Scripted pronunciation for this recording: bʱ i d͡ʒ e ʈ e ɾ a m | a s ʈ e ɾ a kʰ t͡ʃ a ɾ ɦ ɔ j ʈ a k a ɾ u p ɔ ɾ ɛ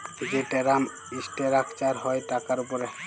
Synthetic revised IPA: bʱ i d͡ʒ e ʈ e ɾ a m | i s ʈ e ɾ a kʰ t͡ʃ a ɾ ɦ ɔ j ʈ a k a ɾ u p ɔ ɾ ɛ